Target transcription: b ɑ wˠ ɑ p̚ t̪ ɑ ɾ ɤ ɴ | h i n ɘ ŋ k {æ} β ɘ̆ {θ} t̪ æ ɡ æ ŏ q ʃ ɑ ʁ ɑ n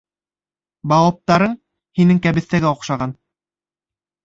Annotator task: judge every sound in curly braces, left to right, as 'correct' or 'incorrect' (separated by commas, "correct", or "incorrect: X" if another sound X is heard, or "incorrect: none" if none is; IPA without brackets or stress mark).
correct, correct